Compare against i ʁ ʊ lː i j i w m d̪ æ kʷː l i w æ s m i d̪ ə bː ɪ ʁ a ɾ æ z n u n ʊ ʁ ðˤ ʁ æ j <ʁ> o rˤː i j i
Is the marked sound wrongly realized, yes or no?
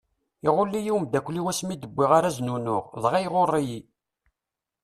no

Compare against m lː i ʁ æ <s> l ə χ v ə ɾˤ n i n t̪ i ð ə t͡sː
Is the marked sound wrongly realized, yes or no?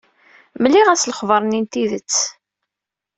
no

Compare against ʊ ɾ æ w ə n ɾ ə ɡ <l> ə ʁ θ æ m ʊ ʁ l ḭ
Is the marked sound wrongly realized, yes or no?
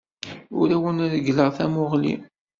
no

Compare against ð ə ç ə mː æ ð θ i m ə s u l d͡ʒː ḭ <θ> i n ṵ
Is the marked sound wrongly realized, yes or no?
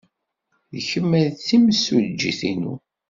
no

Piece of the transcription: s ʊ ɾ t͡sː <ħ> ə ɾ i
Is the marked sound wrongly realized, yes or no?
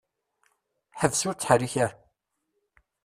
no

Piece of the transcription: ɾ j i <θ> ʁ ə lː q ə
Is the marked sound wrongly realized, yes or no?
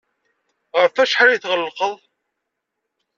no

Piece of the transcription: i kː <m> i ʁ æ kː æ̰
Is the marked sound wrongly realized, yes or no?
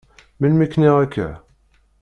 yes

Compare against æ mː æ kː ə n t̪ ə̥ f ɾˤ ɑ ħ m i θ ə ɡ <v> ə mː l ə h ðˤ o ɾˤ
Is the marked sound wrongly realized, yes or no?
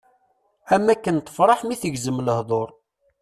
yes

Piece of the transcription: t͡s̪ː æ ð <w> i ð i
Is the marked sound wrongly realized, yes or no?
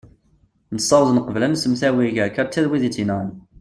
no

